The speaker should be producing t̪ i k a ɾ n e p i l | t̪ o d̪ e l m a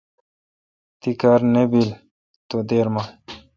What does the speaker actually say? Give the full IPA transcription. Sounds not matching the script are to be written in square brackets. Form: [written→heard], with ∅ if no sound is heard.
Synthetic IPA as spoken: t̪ i k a ɾ n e [p→b] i l | t̪ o d̪ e [l→ɾ] m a